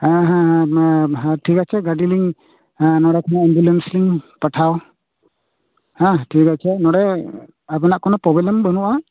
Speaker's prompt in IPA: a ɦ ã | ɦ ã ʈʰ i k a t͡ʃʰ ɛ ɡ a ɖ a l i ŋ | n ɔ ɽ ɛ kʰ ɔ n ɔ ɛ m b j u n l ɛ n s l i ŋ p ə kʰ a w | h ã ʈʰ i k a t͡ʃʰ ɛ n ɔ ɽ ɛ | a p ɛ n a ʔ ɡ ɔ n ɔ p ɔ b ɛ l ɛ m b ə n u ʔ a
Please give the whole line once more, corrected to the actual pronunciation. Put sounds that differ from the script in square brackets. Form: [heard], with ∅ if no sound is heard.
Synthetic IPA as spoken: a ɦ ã | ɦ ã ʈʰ i k a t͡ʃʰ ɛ ɡ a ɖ [i] l i ŋ | n ɔ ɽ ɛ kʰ ɔ n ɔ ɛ m b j u [∅] l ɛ n s l i ŋ p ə [ʈʰ] a w | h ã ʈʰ i k a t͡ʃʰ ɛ n ɔ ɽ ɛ | a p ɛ n a ʔ [k] ɔ n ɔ p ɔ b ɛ l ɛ m b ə n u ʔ a